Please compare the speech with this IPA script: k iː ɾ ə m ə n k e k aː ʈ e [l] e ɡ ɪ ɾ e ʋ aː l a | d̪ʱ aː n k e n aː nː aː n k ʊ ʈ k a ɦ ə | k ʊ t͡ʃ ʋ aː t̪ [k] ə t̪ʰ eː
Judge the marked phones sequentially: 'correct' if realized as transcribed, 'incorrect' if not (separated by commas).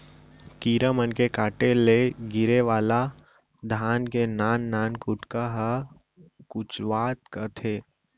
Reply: correct, correct